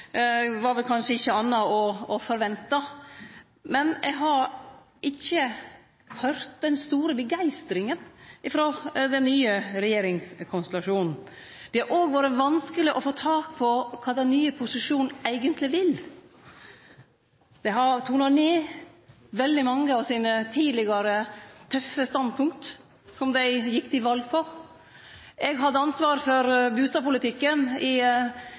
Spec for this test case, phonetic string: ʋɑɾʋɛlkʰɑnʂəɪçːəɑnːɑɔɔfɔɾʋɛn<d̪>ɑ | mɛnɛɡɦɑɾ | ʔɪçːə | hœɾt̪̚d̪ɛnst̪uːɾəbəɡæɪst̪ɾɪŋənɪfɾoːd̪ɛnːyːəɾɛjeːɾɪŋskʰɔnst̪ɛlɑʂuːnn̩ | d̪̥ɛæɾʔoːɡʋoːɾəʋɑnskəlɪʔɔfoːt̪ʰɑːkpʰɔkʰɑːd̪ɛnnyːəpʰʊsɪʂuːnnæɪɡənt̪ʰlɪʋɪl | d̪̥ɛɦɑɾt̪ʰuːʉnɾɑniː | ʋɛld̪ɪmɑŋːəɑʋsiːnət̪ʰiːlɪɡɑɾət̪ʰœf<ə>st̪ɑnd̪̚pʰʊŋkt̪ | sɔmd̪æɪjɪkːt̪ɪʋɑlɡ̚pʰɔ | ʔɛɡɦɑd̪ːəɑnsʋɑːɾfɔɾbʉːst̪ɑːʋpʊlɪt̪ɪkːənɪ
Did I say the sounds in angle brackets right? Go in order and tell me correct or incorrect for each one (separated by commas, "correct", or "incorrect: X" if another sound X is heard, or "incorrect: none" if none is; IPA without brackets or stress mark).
incorrect: t̪, correct